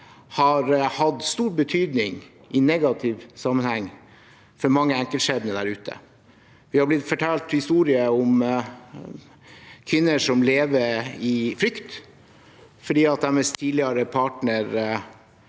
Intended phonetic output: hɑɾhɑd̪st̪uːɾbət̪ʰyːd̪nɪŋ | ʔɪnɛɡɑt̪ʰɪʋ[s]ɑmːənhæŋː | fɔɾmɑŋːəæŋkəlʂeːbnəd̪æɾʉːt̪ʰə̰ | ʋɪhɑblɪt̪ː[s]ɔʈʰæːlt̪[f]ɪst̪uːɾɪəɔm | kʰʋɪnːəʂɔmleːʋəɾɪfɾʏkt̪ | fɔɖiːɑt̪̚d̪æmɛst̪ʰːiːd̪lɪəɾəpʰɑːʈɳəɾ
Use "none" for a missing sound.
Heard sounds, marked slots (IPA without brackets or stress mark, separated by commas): s, f, h